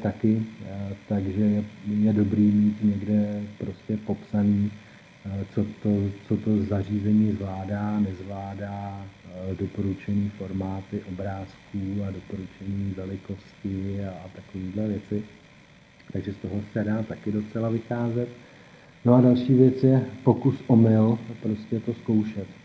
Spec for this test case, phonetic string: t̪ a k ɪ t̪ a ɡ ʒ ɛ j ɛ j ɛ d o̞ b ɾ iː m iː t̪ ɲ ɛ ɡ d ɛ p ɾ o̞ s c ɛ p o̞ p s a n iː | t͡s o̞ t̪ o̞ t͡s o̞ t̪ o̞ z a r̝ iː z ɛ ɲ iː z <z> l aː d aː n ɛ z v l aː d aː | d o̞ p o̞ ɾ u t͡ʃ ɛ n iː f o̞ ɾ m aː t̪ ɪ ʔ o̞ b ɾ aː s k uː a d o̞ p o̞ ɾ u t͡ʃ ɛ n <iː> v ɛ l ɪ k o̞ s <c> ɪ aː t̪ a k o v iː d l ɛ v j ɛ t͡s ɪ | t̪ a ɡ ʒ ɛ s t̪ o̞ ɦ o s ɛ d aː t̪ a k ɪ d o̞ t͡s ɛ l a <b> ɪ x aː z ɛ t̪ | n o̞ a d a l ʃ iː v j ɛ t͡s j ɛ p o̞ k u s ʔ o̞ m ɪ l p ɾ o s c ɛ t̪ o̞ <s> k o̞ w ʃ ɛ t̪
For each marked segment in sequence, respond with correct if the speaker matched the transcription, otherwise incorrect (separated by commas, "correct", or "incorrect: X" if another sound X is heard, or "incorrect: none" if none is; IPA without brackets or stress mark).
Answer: incorrect: v, correct, correct, incorrect: v, correct